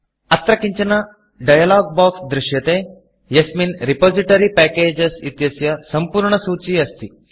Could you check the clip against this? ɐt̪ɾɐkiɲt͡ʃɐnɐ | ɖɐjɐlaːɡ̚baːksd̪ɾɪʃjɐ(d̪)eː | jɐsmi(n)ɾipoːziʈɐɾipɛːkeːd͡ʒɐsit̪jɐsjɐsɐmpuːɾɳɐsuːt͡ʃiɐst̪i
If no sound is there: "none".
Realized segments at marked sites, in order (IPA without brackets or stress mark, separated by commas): t̪, n